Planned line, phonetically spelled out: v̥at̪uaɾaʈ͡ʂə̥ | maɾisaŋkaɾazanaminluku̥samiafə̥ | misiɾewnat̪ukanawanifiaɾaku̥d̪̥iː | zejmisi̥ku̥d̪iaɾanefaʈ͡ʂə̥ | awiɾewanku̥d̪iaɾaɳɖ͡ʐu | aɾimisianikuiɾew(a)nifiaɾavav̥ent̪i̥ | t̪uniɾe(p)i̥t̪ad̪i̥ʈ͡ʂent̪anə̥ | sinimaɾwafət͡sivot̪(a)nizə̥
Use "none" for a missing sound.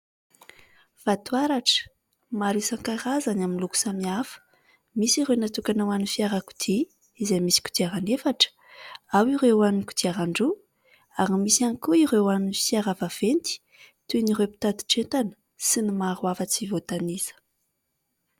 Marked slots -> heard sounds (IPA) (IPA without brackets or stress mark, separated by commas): a, p, a